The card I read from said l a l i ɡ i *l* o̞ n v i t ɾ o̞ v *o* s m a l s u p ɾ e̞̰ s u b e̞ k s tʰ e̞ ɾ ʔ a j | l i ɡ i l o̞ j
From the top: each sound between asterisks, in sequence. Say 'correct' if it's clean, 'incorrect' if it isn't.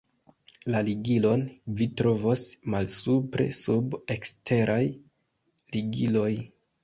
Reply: correct, correct

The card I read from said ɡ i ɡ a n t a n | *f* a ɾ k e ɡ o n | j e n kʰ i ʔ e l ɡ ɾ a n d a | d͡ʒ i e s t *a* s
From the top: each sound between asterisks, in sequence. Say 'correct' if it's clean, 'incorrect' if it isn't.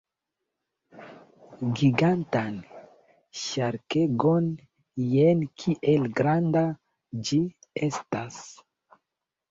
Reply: incorrect: ʃ, correct

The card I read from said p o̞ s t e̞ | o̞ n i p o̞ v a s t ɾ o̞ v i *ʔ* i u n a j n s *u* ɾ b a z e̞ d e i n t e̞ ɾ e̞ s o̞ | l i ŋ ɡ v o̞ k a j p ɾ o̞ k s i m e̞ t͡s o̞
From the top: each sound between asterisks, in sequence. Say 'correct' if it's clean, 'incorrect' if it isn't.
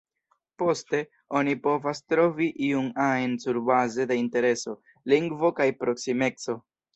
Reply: correct, correct

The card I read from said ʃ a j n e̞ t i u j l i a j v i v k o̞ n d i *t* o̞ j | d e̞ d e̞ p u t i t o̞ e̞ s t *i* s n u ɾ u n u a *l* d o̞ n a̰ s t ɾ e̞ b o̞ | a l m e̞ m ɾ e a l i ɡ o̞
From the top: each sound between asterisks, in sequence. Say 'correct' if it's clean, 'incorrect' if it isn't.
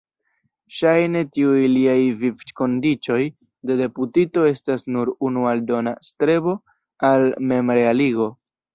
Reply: incorrect: t͡ʃ, incorrect: a, correct

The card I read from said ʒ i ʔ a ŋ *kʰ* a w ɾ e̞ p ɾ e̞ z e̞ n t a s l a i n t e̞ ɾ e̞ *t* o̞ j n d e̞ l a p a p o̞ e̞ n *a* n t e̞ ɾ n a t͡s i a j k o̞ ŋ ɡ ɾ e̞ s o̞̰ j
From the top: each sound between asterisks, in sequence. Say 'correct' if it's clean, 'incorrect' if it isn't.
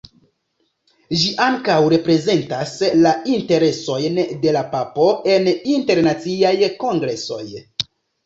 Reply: incorrect: k, incorrect: s, incorrect: i

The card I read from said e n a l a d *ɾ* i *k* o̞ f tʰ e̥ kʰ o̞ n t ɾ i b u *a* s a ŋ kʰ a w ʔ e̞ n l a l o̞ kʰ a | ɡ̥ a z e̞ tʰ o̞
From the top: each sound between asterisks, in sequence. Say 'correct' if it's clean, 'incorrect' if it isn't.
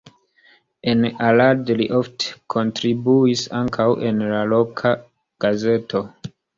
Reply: incorrect: l, incorrect: ʔ, incorrect: i

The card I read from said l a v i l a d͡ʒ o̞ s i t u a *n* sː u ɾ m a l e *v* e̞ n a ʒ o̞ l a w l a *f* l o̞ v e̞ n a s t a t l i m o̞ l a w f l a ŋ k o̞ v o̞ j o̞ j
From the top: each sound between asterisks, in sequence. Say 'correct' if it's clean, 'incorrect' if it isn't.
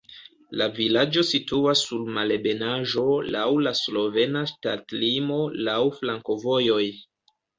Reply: incorrect: none, incorrect: b, incorrect: s

